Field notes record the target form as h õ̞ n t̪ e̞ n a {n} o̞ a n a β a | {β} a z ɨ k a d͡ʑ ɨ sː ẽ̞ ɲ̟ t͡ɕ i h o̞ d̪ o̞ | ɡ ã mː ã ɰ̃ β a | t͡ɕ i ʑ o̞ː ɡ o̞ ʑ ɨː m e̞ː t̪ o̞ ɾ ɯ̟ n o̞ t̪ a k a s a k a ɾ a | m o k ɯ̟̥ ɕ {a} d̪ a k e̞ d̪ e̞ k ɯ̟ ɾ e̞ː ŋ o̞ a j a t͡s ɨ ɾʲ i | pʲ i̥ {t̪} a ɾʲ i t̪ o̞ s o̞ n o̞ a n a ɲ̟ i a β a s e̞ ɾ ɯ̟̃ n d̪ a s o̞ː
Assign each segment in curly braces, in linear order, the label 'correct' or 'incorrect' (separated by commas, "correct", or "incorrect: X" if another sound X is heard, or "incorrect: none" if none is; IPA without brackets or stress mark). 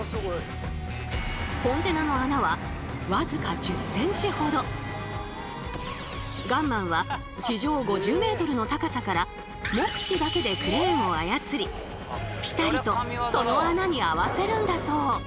correct, correct, incorrect: i, correct